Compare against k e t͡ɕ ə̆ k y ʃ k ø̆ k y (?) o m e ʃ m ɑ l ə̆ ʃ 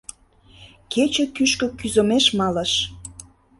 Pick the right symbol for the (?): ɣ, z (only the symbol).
z